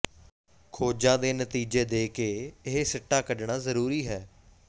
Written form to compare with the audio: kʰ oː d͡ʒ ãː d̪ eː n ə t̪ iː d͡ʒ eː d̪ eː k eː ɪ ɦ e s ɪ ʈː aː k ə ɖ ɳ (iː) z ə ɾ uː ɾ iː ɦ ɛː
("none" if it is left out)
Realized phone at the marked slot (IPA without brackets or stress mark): aː